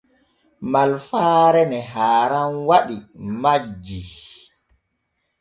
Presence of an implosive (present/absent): present